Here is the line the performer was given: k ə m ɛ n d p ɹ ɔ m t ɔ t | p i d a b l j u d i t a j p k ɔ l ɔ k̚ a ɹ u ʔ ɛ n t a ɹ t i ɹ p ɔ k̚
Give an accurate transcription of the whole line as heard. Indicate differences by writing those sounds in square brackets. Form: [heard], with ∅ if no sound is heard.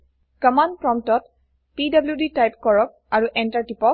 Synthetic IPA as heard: k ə m [a] n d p ɹ ɔ m t ɔ t | p i d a b l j u d i t a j p k ɔ [ɹ] ɔ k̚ a ɹ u ʔ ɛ n t a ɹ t i [∅] p ɔ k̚